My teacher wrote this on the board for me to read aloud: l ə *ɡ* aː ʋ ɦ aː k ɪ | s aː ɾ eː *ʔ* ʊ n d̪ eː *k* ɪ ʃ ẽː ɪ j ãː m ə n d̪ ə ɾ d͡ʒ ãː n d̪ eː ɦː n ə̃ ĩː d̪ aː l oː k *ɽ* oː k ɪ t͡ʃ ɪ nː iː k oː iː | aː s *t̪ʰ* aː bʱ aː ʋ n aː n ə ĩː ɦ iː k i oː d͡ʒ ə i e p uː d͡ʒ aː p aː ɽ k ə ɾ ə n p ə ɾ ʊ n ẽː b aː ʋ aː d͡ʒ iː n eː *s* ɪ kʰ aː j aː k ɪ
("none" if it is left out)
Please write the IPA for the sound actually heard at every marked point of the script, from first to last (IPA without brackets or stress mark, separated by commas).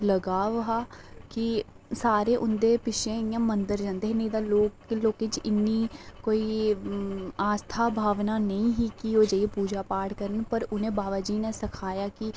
ɡ, ʔ, p, l, t̪ʰ, s